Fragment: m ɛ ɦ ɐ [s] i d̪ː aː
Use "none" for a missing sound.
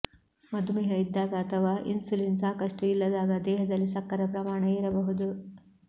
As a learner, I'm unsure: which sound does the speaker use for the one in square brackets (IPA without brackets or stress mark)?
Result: none